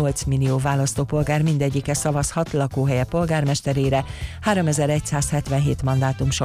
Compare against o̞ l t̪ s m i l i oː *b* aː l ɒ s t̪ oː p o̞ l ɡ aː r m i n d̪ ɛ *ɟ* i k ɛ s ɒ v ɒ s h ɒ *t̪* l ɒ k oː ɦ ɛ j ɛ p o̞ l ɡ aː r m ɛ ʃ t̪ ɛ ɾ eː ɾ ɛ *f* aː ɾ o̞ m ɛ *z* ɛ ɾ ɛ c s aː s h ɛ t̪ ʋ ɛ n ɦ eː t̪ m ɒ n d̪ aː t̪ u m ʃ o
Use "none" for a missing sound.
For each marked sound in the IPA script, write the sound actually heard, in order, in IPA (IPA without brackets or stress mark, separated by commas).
v, ɟː, t̪, h, z